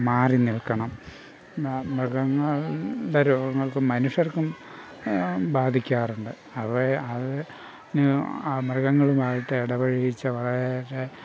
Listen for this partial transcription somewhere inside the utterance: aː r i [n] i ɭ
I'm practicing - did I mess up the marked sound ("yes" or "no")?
no